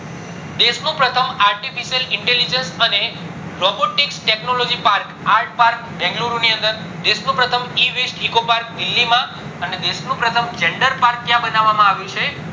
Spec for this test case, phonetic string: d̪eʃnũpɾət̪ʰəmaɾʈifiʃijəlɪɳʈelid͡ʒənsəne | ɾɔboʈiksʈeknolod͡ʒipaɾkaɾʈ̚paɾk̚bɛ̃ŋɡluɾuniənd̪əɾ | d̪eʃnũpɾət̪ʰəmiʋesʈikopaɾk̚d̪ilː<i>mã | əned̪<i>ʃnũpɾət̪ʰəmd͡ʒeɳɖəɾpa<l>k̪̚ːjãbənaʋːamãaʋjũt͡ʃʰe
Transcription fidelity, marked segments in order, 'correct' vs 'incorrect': correct, incorrect, incorrect

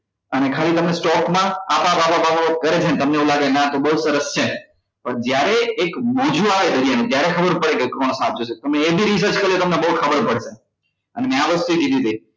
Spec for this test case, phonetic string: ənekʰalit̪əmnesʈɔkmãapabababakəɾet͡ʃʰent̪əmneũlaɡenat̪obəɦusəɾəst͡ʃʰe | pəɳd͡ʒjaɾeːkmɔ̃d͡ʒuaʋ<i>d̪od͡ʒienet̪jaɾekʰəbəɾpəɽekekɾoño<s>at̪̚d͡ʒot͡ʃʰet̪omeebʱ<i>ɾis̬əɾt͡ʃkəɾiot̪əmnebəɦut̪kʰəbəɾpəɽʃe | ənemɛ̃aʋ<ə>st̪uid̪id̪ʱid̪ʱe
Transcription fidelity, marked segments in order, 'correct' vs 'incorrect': incorrect, correct, correct, correct

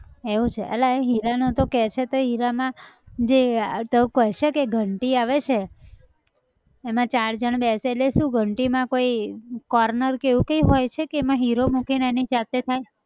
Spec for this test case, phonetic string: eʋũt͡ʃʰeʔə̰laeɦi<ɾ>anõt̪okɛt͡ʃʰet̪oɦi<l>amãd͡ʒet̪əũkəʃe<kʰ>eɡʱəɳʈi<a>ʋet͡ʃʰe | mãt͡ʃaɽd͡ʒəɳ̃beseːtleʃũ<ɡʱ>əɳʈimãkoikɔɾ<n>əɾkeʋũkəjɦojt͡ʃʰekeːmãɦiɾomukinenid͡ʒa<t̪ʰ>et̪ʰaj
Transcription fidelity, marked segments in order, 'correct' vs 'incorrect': correct, incorrect, incorrect, correct, correct, correct, incorrect

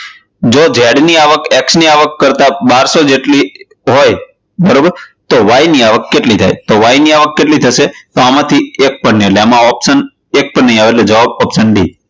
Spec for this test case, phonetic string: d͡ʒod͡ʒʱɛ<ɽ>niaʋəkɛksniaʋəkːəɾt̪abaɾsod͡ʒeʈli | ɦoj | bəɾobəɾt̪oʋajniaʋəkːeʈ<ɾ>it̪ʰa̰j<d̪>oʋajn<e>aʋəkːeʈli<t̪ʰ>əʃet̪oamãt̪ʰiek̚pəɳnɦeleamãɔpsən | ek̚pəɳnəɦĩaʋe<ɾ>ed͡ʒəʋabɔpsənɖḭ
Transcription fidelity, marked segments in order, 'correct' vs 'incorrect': correct, incorrect, incorrect, incorrect, correct, incorrect

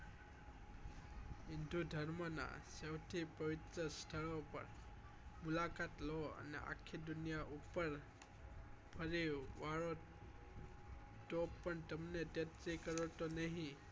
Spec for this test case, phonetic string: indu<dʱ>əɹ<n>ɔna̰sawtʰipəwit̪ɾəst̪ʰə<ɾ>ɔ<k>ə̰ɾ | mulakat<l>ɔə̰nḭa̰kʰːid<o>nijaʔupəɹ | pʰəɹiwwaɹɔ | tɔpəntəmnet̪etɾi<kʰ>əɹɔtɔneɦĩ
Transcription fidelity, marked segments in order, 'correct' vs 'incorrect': correct, incorrect, incorrect, incorrect, correct, incorrect, incorrect

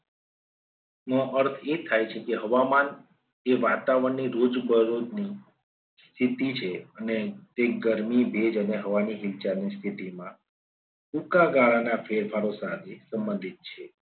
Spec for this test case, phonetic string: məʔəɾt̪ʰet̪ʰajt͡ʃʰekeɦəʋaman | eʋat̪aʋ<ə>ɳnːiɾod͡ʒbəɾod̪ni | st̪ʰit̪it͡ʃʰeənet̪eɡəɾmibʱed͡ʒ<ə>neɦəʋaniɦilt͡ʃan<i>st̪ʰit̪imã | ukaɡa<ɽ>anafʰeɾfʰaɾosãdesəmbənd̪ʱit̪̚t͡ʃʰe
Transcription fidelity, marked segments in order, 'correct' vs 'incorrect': correct, correct, correct, incorrect

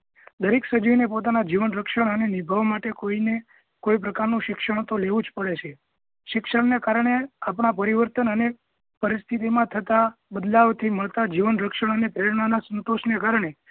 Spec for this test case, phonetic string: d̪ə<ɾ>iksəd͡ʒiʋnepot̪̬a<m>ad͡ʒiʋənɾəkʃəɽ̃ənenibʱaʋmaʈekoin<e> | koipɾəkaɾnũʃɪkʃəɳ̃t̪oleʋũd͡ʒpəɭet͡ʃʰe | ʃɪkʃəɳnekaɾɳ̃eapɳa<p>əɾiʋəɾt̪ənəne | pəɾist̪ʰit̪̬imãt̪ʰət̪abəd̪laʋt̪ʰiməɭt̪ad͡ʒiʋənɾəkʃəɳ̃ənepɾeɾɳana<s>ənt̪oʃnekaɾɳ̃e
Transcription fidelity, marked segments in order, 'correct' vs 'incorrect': correct, incorrect, correct, correct, correct

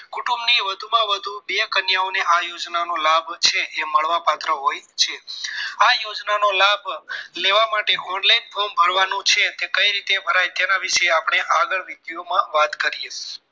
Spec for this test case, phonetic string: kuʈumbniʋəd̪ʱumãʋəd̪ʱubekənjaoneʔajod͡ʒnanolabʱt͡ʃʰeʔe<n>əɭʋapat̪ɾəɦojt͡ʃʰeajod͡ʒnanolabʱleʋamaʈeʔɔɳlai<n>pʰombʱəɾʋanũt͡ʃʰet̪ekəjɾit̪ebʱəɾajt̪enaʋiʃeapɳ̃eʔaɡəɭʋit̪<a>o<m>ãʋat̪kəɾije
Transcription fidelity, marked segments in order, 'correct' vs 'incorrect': incorrect, correct, incorrect, correct

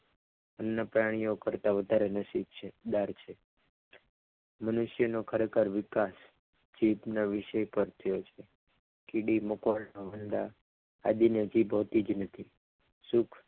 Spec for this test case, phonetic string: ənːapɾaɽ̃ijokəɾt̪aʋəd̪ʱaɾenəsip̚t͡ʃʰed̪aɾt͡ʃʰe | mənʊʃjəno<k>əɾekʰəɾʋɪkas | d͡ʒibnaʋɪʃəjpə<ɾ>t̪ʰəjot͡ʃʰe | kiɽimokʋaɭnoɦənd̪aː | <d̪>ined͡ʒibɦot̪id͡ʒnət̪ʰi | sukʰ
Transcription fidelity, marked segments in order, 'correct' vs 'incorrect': incorrect, correct, correct

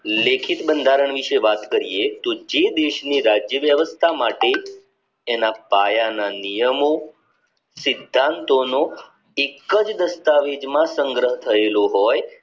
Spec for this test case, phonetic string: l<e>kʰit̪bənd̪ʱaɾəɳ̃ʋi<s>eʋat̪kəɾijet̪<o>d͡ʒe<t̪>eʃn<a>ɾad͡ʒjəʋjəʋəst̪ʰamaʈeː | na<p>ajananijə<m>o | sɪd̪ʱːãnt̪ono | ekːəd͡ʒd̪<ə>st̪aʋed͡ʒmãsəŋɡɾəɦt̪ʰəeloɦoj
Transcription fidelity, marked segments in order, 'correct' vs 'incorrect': correct, incorrect, correct, incorrect, incorrect, correct, correct, correct

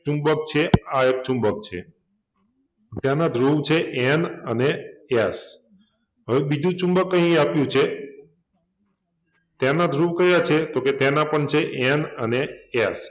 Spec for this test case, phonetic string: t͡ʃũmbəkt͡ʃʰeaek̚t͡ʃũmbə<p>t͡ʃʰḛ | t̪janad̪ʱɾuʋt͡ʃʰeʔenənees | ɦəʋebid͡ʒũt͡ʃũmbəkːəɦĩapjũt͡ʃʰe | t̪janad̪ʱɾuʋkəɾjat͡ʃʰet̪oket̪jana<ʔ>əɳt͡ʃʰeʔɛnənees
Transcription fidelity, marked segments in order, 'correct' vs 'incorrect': incorrect, incorrect

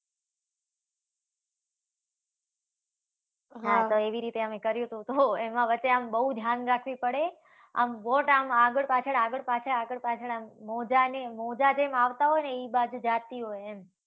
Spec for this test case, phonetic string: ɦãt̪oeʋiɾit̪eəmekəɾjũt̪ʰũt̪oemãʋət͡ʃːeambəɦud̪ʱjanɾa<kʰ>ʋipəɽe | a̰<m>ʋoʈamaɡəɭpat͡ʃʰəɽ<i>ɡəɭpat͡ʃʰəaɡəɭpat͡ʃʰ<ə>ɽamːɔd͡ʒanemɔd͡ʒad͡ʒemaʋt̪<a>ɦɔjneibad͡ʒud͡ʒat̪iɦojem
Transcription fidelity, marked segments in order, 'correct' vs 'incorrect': correct, correct, incorrect, correct, correct

